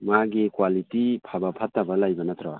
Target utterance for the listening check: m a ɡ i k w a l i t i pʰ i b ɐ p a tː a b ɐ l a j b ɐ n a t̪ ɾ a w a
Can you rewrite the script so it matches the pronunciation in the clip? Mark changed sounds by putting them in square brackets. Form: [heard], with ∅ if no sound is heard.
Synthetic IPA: m a ɡ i k w a l i t i pʰ [a] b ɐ [pʰ] a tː a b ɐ l a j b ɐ n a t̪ ɾ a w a